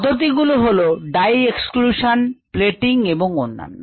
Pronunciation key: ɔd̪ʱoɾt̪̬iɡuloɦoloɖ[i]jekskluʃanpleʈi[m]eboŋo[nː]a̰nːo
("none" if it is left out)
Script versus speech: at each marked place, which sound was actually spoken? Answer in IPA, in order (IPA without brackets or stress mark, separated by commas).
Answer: a, ŋ, nː